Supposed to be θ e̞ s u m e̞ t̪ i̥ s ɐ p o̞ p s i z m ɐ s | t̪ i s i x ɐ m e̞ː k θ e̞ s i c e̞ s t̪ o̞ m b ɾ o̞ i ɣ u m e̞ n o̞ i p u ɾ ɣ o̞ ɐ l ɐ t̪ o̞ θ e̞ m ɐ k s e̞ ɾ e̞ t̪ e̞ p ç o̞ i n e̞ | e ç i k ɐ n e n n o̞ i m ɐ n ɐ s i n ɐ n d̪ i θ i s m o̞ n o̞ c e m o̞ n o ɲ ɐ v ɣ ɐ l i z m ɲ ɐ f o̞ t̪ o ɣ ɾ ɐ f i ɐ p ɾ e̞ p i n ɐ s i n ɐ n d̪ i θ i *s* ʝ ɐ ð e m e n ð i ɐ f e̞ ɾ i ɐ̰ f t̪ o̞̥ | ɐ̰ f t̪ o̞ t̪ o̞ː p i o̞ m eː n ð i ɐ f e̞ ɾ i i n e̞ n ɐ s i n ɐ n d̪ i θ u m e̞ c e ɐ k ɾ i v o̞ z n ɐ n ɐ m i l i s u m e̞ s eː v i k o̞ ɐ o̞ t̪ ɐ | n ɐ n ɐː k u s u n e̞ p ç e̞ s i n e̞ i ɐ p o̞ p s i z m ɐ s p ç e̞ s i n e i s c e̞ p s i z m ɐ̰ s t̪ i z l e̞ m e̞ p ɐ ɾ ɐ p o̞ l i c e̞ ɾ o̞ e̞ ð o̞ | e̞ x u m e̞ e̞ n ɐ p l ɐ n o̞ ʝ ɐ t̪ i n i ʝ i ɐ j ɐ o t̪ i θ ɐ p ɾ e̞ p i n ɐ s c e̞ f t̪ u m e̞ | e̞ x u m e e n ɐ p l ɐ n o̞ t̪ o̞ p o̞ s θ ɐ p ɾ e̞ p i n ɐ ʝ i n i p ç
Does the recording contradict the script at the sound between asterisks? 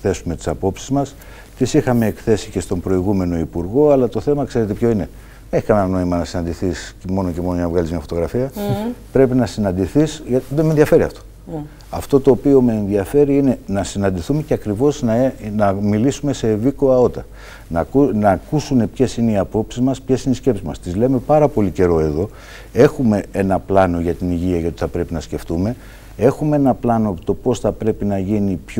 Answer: no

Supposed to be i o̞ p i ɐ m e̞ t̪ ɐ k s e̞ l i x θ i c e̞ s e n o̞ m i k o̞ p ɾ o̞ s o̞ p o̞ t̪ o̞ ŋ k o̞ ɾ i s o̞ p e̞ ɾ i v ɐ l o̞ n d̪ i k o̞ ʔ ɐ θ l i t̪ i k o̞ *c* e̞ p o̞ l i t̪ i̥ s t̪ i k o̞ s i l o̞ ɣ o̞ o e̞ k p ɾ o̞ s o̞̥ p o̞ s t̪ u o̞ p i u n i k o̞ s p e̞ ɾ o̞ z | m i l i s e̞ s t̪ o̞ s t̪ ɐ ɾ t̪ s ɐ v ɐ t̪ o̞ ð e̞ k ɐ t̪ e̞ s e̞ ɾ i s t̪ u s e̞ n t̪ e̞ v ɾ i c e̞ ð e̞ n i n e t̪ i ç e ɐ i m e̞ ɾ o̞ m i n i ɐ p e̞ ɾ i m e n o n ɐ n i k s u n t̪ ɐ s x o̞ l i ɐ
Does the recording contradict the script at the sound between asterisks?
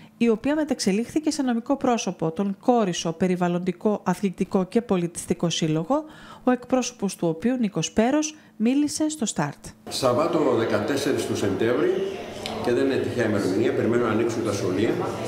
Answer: no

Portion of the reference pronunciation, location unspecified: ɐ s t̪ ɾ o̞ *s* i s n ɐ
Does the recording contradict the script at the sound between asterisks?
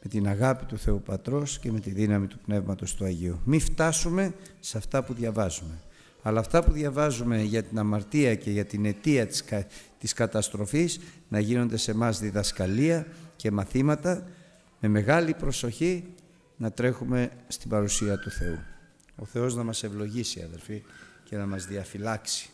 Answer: yes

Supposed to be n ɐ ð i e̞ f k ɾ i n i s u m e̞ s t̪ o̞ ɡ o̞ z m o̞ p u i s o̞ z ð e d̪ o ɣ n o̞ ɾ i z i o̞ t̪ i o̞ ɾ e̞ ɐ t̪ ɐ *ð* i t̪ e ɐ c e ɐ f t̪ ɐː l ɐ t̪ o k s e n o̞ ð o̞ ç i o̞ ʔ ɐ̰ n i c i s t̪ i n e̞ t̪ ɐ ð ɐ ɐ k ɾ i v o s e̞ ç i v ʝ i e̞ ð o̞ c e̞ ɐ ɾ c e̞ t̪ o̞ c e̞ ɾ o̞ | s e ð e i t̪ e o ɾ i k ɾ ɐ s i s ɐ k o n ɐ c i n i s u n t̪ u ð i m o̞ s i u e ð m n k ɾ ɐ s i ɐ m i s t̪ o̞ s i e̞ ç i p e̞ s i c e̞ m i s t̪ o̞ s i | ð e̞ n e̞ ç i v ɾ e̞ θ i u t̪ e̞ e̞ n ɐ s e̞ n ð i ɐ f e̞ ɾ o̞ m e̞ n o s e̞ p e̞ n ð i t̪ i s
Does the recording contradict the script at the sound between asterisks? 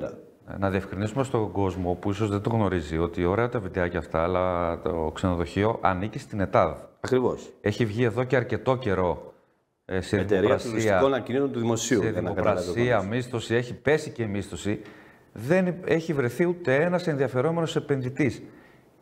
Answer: yes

